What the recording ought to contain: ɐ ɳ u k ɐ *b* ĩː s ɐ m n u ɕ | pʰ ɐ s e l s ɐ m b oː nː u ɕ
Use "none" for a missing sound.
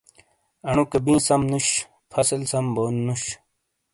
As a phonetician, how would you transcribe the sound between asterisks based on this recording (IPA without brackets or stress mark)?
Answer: b